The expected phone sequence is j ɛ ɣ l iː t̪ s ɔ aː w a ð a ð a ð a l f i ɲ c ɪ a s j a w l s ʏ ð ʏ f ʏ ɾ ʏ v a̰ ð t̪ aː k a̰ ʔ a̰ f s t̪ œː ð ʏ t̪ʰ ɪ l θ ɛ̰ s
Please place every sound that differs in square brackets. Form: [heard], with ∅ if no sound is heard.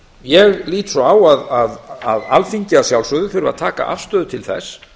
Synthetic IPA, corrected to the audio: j ɛ ɣ l iː t̪ s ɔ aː w a ð a ð a ð a l f i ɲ c ɪ a s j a w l s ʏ ð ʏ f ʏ ɾ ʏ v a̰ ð [t̪ʰ] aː k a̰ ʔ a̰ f s t̪ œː ð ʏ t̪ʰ ɪ l θ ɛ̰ s